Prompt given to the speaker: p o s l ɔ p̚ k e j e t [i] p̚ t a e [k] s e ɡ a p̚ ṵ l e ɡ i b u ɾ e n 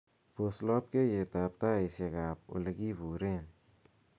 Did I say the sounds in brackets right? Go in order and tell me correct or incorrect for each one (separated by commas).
incorrect, incorrect